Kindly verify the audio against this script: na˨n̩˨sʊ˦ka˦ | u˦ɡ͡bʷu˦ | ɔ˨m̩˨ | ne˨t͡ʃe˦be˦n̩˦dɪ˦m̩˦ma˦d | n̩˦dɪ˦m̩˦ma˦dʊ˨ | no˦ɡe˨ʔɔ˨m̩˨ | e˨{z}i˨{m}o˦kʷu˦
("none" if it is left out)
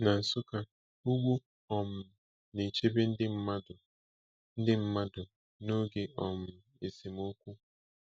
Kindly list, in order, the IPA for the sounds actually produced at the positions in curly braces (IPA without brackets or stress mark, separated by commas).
s, m